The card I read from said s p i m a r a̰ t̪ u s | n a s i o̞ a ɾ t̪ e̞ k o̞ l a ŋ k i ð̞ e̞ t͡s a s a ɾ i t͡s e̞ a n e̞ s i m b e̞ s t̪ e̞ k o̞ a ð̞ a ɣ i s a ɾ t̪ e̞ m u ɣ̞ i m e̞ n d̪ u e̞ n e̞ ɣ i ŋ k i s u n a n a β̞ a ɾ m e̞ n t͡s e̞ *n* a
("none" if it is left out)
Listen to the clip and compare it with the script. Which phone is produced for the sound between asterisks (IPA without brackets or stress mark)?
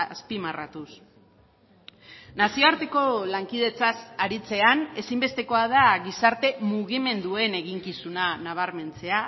none